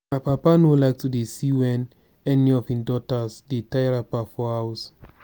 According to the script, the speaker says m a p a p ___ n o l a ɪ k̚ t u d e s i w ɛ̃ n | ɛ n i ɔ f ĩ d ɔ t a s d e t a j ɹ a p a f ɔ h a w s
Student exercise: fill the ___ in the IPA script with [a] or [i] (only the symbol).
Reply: a